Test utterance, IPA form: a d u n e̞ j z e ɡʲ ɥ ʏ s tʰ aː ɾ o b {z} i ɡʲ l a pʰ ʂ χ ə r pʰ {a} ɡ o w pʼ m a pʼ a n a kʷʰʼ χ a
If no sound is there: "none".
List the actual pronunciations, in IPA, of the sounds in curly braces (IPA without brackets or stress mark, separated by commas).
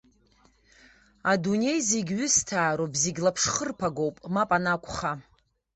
z, a